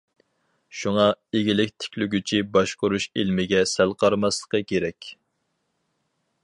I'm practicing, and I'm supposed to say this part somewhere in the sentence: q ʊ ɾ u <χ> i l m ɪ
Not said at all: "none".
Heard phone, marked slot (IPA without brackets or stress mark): ʃ